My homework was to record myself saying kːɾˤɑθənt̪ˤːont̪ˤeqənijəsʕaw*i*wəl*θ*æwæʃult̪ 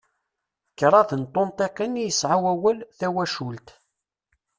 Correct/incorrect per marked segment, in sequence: incorrect, correct

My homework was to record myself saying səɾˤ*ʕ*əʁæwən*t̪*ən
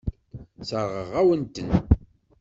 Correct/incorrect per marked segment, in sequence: incorrect, correct

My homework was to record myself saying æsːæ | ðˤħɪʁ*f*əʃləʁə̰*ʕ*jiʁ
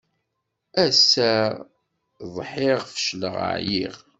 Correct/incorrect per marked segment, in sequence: correct, correct

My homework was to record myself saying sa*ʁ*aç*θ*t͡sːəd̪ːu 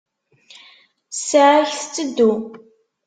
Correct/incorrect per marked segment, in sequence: incorrect, correct

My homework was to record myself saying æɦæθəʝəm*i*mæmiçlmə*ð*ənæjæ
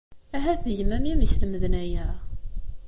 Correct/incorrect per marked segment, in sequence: incorrect, correct

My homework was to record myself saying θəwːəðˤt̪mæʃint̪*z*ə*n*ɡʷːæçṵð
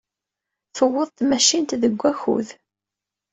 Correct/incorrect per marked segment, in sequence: incorrect, incorrect

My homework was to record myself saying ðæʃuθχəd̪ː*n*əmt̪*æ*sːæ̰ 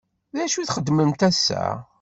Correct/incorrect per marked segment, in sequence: incorrect, correct

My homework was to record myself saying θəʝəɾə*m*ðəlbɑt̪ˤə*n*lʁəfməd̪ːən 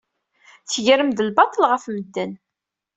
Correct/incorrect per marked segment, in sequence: correct, incorrect

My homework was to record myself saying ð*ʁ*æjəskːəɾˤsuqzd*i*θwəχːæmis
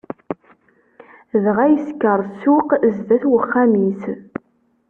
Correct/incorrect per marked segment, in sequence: correct, incorrect

